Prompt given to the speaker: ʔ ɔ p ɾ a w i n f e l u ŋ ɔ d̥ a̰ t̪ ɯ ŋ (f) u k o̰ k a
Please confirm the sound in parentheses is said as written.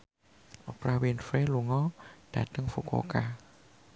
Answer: yes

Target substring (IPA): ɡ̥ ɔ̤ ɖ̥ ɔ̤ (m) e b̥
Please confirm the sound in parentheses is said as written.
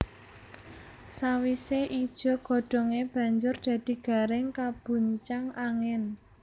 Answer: no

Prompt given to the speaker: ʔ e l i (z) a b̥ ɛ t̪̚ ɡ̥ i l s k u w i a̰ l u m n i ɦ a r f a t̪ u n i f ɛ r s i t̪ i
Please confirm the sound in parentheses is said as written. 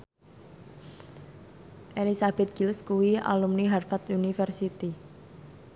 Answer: no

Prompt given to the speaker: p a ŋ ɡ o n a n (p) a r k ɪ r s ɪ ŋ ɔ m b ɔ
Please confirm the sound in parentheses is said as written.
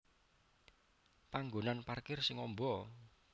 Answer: yes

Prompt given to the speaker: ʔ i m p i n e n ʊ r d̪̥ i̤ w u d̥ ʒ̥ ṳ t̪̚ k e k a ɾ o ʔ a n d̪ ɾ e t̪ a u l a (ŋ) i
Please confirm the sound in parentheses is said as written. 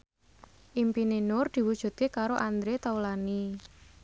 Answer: no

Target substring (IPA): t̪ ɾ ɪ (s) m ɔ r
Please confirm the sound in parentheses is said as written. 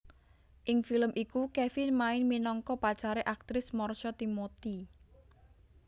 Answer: yes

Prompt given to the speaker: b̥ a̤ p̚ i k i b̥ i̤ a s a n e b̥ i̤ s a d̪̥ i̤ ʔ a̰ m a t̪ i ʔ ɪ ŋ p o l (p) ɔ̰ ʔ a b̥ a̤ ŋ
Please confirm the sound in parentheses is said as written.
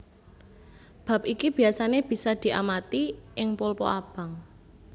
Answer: yes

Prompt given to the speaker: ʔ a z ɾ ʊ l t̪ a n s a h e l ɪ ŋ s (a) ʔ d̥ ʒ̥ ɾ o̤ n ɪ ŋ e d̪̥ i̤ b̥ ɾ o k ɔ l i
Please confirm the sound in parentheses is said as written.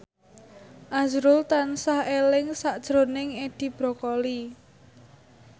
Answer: yes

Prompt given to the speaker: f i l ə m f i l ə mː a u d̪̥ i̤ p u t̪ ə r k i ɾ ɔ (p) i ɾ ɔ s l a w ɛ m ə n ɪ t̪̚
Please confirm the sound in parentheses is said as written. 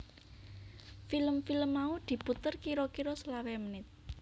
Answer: no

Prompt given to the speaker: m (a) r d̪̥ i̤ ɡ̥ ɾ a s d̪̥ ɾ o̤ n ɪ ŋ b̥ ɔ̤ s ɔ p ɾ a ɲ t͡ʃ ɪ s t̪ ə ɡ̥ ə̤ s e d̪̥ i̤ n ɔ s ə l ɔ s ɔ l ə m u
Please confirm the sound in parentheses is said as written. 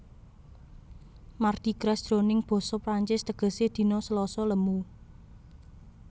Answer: yes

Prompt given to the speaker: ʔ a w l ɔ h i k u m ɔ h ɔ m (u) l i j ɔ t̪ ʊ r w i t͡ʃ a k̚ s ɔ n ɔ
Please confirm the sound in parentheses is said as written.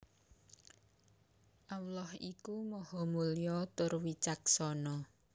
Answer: yes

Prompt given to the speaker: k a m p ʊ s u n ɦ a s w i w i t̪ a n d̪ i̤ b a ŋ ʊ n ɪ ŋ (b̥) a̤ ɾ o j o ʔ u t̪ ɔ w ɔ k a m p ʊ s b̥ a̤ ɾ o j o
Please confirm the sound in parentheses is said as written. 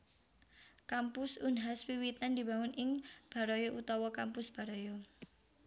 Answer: yes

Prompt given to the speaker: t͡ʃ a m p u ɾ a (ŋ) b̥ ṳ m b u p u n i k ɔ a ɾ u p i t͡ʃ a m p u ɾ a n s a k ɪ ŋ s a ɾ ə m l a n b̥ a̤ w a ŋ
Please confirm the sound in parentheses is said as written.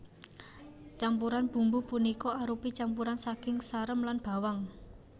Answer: no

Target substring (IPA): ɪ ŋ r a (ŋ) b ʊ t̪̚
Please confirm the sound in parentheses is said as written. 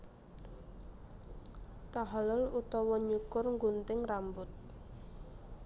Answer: no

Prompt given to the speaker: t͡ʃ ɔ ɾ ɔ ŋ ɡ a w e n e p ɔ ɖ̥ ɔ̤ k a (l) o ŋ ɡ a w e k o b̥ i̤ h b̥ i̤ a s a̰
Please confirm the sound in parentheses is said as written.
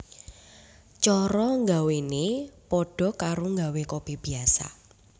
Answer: no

